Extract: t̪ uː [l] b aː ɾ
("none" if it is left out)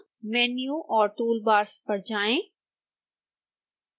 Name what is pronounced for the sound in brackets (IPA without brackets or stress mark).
l